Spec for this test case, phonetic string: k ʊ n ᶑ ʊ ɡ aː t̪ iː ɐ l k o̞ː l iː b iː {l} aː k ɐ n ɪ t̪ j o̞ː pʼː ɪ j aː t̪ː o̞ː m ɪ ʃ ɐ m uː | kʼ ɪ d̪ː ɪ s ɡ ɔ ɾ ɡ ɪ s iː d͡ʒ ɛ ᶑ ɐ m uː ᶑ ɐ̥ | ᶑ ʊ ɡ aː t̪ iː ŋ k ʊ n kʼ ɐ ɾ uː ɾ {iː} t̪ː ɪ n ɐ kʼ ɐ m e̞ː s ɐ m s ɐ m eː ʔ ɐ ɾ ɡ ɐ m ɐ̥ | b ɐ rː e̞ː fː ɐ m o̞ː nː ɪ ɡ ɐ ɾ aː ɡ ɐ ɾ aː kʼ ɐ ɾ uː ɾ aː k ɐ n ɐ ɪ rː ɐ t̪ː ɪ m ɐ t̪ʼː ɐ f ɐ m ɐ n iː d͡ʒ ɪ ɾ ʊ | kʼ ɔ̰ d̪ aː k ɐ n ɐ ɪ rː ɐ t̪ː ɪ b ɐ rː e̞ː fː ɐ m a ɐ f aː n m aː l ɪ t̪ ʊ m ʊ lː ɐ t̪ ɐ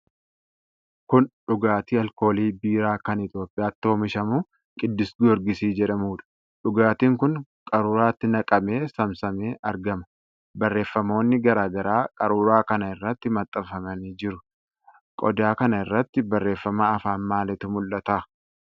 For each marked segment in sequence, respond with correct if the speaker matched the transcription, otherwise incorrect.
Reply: incorrect, incorrect

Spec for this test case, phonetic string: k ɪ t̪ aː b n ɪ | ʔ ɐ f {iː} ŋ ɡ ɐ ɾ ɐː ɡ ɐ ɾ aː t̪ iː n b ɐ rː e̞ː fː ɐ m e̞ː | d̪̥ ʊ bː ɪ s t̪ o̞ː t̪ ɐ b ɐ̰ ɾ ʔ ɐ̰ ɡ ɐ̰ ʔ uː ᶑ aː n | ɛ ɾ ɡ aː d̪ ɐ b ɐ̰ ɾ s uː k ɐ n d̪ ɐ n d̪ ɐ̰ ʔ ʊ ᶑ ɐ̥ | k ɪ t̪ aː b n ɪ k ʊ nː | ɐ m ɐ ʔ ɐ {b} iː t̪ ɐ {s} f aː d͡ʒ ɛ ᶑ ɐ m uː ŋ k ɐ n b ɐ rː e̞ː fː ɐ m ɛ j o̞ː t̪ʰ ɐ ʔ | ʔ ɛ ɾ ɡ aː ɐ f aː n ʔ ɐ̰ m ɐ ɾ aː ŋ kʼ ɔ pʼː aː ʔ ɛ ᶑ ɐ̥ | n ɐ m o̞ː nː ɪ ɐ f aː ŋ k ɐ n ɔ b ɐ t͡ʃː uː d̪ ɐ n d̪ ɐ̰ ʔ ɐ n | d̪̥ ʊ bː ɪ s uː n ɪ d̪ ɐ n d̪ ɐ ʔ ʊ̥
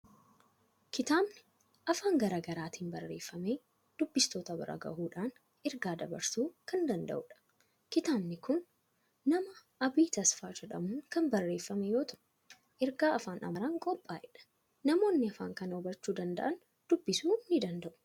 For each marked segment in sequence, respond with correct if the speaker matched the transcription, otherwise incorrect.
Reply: incorrect, correct, correct

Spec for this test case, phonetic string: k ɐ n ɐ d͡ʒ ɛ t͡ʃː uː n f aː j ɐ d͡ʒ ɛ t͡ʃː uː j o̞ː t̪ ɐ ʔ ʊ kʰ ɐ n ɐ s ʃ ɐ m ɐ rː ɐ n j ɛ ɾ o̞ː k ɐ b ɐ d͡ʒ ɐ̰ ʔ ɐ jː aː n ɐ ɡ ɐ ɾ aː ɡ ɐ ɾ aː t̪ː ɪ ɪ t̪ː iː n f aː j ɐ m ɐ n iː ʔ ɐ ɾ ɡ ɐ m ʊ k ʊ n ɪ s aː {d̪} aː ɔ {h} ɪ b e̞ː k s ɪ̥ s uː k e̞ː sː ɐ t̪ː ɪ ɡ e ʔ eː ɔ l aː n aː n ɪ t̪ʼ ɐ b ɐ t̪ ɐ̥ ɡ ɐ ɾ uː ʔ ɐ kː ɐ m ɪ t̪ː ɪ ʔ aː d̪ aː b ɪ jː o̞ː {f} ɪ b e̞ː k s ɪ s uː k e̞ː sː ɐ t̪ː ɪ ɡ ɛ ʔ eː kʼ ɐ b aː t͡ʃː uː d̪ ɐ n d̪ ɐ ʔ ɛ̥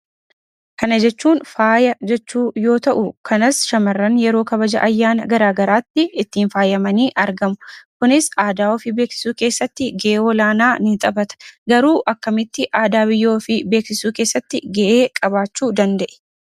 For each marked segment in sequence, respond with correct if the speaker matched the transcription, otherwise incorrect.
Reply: correct, incorrect, correct

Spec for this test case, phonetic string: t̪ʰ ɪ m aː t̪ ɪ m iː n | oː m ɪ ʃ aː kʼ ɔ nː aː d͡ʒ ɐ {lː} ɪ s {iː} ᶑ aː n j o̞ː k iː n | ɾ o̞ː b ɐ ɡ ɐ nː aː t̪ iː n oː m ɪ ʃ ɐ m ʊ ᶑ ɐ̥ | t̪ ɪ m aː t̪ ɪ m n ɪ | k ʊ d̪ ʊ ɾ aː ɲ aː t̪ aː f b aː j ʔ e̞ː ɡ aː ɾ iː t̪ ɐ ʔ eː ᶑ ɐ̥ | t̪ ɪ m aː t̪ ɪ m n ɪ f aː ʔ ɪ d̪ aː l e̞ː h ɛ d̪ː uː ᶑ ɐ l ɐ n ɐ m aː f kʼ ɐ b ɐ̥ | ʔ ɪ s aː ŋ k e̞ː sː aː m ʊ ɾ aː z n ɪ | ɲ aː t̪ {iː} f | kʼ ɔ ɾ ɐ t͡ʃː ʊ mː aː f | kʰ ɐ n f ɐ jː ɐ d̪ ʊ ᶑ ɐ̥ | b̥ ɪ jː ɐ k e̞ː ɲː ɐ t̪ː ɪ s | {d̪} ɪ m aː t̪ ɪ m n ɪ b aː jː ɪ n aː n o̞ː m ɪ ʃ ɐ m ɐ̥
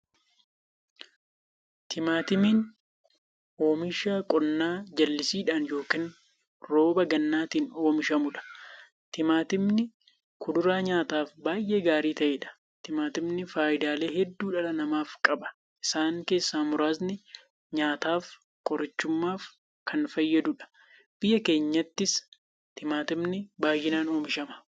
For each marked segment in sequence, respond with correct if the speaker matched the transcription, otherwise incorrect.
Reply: correct, correct, incorrect, incorrect

